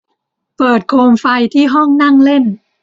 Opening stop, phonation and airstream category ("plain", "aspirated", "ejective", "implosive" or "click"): plain